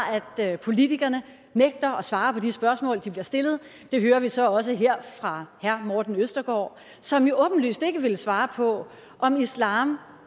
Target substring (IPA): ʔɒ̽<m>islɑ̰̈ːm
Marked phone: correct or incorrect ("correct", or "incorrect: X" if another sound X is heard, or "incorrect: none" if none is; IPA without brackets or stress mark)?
correct